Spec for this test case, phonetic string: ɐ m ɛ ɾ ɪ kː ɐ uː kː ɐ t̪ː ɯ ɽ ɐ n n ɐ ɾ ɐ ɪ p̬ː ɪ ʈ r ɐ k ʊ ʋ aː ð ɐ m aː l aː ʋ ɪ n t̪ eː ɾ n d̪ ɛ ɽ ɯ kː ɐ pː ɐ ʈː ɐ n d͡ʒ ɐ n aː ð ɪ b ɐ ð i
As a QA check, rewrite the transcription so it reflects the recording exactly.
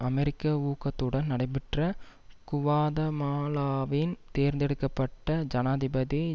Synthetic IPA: ɐ m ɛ ɾ ɪ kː ɐ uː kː ɐ t̪ː ɯ ɽ ɐ n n ɐ ɽ ɐ ɪ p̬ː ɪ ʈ r ɐ k ʊ ʋ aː ð ɐ m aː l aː ʋ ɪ n t̪ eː ɾ n d̪ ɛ ɽ ɯ kː ɐ pː ɐ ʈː ɐ d͡ʒ ɐ n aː ð ɪ b ɐ ð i